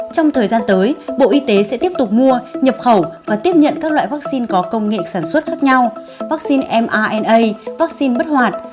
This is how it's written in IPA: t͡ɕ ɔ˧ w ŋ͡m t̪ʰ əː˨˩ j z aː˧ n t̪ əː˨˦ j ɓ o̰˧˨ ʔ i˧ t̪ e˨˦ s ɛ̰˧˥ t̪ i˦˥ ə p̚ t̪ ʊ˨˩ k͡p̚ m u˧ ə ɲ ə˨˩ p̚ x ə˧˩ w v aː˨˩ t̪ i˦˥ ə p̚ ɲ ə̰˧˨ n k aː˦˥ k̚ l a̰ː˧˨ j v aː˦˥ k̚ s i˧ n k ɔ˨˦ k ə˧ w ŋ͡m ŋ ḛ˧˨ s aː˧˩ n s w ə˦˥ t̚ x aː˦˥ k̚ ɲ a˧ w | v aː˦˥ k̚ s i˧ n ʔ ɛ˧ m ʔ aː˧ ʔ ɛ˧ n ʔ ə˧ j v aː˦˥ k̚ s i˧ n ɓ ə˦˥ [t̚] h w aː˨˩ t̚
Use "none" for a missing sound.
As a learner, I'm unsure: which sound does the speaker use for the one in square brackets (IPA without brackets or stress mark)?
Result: t̚